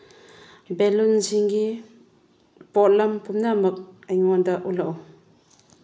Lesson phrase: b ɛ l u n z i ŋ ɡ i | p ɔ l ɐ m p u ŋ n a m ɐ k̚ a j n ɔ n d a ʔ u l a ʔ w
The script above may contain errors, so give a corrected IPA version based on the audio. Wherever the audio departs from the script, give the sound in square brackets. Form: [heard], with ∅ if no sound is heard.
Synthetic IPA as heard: b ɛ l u n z i ŋ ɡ i | p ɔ l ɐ m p u [m] n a m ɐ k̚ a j [ŋ] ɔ n d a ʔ u l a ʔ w